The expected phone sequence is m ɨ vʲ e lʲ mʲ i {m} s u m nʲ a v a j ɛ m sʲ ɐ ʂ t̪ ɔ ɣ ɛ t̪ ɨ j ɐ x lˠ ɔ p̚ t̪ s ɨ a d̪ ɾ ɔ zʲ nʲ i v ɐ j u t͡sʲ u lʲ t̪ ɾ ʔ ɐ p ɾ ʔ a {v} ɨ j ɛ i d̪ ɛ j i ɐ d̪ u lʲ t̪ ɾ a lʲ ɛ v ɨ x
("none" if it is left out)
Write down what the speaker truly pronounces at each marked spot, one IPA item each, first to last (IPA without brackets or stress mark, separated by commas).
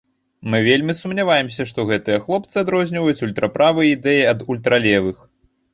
none, v